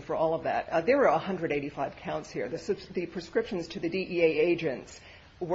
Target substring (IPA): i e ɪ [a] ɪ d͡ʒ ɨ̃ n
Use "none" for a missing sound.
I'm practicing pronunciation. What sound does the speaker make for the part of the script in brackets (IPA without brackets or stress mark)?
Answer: e